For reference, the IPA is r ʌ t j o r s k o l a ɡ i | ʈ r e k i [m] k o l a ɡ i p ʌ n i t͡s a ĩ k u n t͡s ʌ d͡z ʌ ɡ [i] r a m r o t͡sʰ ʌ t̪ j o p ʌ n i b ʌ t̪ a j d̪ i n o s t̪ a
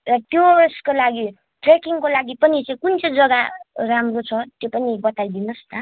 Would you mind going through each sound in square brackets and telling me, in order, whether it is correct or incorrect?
incorrect: ŋ, incorrect: a

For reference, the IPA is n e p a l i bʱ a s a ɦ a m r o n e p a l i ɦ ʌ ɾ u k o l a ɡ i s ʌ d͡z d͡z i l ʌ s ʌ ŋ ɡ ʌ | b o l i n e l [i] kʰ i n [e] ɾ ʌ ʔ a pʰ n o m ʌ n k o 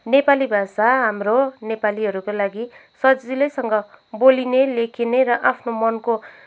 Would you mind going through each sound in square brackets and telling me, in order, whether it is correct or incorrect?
incorrect: e, correct

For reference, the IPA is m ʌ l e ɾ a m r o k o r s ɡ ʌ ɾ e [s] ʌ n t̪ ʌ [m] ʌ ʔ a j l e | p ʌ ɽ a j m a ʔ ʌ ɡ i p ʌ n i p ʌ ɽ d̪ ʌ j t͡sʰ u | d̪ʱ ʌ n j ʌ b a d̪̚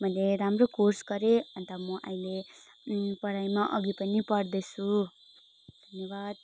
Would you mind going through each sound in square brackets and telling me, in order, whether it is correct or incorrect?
incorrect: none, correct

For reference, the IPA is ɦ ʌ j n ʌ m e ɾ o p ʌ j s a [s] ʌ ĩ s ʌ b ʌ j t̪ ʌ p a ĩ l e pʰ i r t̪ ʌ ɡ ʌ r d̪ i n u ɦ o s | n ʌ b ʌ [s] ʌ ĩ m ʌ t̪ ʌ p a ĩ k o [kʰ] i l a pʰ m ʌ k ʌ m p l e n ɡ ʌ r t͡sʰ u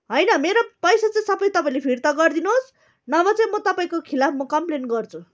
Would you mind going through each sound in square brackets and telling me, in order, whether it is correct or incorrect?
incorrect: t͡s, incorrect: t͡s, correct

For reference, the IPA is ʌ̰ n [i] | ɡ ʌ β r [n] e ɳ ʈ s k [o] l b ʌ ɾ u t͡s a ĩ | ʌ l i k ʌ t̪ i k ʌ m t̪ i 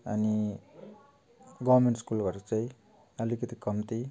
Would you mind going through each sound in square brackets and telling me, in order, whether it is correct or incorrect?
correct, incorrect: m, incorrect: u

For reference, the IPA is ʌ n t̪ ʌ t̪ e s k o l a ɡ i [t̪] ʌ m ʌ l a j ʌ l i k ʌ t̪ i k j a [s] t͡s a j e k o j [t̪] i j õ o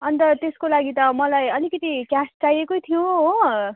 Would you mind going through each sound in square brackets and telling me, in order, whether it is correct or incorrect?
correct, correct, incorrect: t̪ʰ

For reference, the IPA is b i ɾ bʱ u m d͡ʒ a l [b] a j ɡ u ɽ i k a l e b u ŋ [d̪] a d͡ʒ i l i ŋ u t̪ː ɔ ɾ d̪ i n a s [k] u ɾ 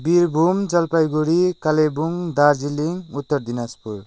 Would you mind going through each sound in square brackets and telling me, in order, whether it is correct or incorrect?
incorrect: p, correct, incorrect: p

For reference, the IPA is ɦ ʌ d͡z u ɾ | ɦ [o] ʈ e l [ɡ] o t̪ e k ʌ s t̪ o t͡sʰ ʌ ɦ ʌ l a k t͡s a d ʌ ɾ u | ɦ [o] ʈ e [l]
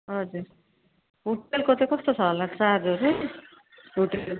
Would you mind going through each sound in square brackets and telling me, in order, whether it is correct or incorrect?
incorrect: u, incorrect: k, incorrect: u, correct

